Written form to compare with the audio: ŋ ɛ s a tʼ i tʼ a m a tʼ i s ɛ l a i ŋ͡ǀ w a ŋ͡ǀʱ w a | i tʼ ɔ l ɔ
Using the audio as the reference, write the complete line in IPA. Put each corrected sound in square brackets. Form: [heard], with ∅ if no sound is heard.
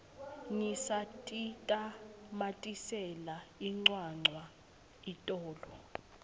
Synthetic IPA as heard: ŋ [i] s a tʼ i tʼ a m a tʼ i s ɛ l a i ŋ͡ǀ w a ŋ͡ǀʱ w a | i tʼ [ɔː] l ɔ